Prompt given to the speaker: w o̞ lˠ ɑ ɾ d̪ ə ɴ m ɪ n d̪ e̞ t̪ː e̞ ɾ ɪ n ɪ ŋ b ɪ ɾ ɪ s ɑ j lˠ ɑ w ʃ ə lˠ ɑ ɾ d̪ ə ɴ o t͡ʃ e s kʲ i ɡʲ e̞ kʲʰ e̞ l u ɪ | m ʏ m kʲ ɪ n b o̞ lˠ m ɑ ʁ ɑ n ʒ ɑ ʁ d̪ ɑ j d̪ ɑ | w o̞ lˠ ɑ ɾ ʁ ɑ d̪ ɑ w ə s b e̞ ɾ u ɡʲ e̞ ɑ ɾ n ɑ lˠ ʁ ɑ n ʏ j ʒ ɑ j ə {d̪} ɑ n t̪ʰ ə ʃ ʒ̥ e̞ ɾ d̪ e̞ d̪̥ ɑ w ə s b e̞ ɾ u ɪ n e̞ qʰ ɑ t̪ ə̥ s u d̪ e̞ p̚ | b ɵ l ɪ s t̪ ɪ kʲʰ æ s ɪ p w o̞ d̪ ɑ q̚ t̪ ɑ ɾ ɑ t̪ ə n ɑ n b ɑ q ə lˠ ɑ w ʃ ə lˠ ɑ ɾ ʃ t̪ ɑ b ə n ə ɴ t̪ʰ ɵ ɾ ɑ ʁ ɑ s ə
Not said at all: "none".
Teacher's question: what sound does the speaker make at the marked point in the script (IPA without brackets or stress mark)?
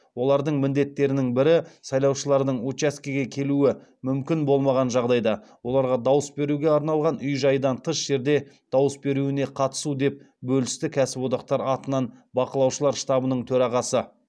d̪